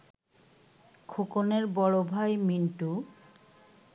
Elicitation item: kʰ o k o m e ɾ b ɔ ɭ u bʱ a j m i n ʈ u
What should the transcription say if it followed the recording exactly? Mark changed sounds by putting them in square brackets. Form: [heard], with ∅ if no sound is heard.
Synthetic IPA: kʰ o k o [n] e ɾ b ɔ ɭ [o] bʱ a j m i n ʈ u

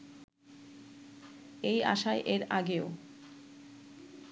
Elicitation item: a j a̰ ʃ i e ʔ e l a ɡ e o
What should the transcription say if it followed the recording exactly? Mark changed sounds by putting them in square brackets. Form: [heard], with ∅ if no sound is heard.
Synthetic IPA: [e] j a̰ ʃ [a] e ʔ e [ɾ] a ɡ e o

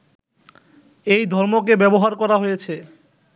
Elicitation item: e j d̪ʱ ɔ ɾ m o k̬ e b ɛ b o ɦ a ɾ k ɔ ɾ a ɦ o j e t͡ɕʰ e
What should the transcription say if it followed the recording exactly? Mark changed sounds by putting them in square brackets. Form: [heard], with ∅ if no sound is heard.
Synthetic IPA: e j d̪ʱ ɔ ɾ m o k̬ e b ɛ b o ɦ a ɾ k ɔ ɾ a ɦ o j e t͡ɕʰ e

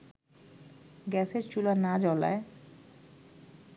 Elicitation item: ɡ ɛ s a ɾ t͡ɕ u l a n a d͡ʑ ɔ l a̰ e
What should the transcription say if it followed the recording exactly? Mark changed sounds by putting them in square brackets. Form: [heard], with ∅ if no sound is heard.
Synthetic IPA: ɡ ɛ s [e] ɾ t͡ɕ u l a n a d͡ʑ ɔ l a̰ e

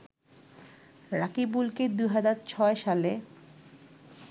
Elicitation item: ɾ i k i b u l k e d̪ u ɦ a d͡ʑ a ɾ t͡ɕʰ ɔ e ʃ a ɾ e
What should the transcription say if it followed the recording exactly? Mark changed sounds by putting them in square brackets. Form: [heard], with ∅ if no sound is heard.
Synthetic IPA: ɾ [a] k i b u l k e d̪ u ɦ a d͡ʑ a ɾ t͡ɕʰ ɔ e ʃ a [l] e

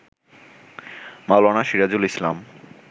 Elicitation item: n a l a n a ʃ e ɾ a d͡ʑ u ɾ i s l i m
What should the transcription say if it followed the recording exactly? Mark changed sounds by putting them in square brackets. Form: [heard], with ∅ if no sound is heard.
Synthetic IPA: [m] a l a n a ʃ [i] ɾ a d͡ʑ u [l] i s l [a] m

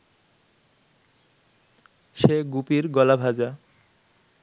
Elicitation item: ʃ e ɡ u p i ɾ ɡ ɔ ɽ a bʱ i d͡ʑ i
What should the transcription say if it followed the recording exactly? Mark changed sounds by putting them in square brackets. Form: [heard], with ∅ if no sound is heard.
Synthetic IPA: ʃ e ɡ u p i ɾ ɡ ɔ [l] a bʱ [a] d͡ʑ [a]

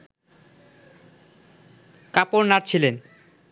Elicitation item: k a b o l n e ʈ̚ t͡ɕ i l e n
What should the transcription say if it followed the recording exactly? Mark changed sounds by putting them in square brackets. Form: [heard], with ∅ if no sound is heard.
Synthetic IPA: k a [p] o [ɾ] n [a] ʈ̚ [t͡ɕʰ] i l e n

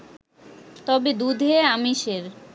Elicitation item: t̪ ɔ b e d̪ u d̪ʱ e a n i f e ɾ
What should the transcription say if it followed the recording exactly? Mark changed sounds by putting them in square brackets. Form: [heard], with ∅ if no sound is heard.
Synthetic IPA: t̪ ɔ b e d̪ u d̪ʱ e a [m] i [ʃ] e ɾ

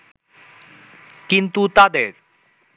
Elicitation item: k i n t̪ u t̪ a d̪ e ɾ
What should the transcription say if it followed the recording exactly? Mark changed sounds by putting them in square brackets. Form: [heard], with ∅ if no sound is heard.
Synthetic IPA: k i n t̪ u t̪ a d̪ e ɾ

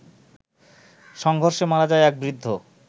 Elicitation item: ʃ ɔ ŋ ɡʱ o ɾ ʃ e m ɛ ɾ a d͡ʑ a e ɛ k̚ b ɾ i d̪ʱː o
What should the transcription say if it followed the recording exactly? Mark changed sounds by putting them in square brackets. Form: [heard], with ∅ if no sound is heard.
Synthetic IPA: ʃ ɔ ŋ ɡʱ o ɾ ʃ e m [a] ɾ a d͡ʑ a e ɛ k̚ b ɾ i d̪ʱː o

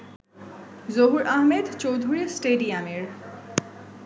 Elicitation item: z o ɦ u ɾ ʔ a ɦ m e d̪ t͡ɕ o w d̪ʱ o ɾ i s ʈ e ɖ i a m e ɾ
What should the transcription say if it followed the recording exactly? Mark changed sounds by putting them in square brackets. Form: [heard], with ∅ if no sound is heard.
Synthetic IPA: z o ɦ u ɾ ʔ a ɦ m e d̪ t͡ɕ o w d̪ʱ [u] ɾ i s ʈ e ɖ i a m e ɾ

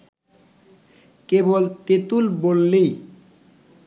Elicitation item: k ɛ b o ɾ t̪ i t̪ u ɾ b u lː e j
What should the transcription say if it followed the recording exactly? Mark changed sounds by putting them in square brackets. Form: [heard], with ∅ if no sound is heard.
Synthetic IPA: k [e] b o [l] t̪ [e] t̪ u [l] b [o] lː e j

